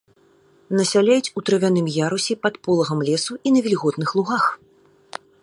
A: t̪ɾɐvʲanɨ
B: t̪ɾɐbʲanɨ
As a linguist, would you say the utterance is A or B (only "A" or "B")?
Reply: A